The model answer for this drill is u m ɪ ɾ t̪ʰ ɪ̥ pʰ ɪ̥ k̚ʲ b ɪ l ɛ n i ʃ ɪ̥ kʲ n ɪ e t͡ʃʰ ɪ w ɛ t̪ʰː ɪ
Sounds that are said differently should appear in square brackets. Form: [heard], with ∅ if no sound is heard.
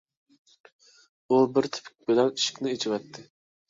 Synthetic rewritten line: u [b] ɪ ɾ t̪ʰ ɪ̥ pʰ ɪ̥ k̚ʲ b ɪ l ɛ n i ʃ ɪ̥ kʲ n ɪ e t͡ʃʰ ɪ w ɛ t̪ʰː ɪ